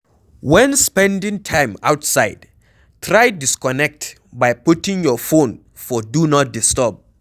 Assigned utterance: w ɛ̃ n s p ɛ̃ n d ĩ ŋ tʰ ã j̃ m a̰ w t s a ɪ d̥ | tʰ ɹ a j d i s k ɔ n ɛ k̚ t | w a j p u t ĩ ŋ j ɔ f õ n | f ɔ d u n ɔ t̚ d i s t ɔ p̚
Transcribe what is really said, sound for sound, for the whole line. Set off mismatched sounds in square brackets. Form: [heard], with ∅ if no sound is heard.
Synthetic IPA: w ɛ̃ n s p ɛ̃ n d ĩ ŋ tʰ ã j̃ m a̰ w t s a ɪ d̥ | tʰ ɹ a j d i s k ɔ n ɛ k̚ t | [b] a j p u t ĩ ŋ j ɔ f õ n | f ɔ d u n ɔ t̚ d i s t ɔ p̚